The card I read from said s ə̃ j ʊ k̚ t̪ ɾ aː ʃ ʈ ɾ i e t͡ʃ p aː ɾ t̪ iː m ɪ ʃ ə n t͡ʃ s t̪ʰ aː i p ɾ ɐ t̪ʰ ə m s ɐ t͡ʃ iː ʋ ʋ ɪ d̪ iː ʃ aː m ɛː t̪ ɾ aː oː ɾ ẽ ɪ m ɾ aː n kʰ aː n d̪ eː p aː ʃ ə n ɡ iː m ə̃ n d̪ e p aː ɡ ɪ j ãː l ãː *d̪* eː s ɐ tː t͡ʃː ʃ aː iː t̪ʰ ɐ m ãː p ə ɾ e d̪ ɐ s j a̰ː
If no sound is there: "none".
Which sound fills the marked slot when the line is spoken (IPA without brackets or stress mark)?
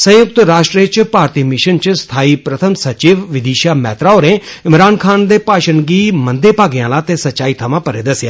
t̪